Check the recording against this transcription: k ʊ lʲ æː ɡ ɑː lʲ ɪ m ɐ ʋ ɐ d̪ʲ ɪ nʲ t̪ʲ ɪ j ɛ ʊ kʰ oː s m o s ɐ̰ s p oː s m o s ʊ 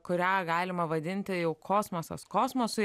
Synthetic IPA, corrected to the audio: k ʊ ɾʲ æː ɡ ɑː lʲ ɪ m ɐ ʋ ɐ d̪ʲ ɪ nʲ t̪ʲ ɪ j ɛ ʊ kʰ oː s m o s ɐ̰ s k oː s m o s ʊ